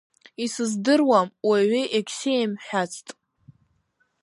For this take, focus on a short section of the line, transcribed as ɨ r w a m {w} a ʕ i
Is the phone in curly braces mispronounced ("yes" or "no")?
no